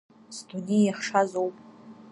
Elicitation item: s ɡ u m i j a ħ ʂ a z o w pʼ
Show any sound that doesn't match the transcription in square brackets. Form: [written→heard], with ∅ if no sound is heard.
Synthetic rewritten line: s [ɡ→d] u [m→n] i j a [ħ→χ] ʂ a z o w pʼ